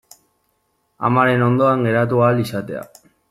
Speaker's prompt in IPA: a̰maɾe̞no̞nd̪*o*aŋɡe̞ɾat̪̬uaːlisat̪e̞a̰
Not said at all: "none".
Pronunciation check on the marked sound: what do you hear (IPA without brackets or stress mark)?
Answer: o